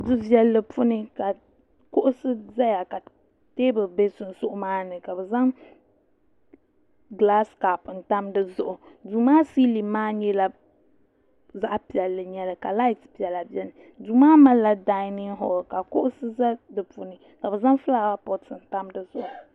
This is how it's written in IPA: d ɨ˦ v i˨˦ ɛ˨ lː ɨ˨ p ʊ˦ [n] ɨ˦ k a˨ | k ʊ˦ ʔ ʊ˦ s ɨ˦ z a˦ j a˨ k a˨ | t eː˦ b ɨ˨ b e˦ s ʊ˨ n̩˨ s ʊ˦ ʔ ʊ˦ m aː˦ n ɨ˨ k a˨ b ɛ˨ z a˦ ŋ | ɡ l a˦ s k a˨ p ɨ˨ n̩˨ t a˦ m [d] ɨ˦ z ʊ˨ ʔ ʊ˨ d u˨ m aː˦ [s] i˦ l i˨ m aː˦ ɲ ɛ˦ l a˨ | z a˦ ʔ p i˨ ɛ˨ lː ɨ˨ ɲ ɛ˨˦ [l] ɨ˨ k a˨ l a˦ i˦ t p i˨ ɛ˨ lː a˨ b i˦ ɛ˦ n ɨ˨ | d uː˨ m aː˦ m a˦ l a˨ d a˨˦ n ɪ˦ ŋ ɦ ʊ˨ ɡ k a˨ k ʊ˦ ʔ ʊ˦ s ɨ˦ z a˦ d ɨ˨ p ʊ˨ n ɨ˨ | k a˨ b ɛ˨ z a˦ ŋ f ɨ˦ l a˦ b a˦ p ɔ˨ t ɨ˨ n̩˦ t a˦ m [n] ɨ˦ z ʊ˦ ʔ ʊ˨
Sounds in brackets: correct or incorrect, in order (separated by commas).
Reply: correct, correct, correct, correct, incorrect